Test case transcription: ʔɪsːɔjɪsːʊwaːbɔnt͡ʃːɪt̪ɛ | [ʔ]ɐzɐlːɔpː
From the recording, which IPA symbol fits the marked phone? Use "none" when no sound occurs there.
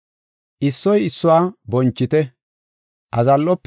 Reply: ʔ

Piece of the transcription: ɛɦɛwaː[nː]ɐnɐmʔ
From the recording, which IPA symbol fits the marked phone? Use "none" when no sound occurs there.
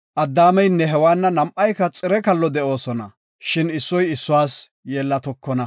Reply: nː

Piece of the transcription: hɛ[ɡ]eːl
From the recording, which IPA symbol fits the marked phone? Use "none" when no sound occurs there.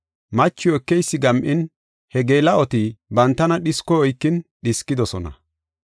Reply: ɡ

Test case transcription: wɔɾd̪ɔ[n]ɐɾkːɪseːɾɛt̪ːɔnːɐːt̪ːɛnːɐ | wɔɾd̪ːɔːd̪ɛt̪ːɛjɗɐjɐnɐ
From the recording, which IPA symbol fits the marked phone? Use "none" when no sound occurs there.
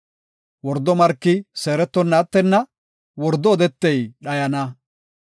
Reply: m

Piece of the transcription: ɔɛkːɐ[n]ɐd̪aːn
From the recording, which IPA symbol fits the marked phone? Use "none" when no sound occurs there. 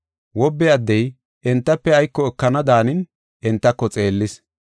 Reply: n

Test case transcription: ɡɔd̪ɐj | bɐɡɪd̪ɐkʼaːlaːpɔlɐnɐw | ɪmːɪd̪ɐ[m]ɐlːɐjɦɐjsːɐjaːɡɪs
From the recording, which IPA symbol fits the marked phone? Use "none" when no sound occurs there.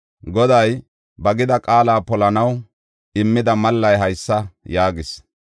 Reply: m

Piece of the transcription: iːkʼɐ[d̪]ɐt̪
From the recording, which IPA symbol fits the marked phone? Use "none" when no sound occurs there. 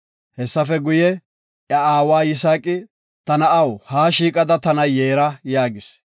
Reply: d̪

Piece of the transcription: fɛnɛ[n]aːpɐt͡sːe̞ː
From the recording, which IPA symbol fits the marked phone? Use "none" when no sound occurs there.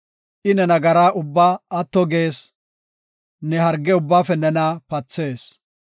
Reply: n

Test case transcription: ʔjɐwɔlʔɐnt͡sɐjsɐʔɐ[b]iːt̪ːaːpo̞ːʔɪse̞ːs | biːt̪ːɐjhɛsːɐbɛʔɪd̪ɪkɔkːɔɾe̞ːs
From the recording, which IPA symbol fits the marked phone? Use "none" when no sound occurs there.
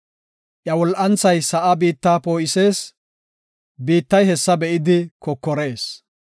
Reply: b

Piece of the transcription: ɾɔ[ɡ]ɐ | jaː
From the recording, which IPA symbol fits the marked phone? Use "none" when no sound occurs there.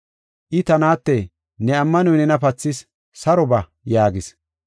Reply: b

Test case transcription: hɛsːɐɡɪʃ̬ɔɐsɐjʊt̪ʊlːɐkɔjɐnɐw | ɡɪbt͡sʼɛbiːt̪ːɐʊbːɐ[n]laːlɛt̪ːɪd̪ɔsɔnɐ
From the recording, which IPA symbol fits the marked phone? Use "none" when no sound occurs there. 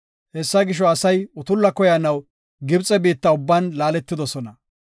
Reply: n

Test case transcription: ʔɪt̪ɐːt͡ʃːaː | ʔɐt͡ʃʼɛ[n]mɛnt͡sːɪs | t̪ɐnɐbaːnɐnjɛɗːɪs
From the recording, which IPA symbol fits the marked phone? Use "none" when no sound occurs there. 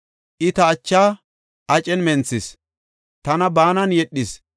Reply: n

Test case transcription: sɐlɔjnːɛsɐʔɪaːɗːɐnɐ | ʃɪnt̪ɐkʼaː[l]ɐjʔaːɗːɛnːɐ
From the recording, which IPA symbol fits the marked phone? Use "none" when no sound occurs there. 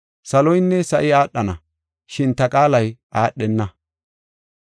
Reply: l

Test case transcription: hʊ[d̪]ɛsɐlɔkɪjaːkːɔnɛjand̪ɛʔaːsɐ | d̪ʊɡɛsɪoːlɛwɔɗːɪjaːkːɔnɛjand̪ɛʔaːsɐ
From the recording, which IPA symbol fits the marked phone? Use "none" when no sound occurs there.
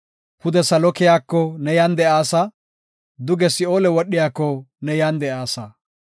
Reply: d̪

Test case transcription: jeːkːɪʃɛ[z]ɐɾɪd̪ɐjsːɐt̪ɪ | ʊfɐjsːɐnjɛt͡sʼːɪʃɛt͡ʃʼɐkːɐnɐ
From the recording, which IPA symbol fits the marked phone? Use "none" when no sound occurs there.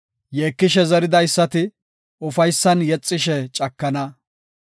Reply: z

